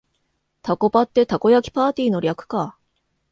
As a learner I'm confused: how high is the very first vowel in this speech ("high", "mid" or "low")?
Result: low